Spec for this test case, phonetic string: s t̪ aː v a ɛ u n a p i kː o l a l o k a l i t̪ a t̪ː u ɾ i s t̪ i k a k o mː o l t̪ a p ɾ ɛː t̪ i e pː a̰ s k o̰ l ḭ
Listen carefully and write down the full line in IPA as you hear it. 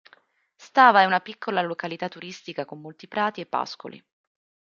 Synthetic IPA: s t̪ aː v a ɛ u n a p i kː o l a l o k a l i t̪ a t̪ː u ɾ i s t̪ i k a k o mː o l t̪ i p ɾ aː t̪ i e pː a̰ s k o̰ l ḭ